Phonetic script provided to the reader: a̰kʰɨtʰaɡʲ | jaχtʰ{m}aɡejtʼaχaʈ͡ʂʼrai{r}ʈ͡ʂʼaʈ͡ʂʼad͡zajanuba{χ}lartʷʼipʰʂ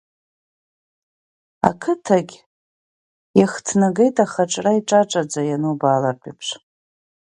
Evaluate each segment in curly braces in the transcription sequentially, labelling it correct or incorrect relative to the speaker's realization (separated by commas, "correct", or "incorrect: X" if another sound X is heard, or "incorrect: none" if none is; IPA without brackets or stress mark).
incorrect: n, incorrect: none, incorrect: none